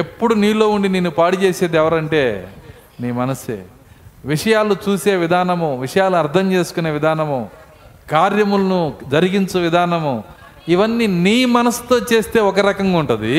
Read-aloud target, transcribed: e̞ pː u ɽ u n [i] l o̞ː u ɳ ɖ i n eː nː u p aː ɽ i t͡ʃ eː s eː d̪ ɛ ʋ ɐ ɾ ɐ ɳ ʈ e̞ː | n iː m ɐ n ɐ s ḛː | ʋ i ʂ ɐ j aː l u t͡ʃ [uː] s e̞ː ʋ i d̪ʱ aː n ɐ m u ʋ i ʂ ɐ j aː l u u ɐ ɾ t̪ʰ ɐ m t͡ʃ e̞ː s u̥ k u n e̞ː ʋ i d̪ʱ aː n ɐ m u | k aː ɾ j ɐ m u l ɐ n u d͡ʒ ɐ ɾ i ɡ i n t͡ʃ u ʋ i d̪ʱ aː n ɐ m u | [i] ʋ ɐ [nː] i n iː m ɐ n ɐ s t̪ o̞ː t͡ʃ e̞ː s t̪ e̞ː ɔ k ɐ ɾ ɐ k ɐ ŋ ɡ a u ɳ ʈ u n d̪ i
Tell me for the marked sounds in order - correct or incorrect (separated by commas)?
incorrect, correct, correct, correct